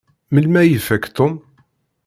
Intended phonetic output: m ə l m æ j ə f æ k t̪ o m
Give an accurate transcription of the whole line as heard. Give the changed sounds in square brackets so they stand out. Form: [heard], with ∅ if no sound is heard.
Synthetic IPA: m ə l m æ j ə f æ k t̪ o m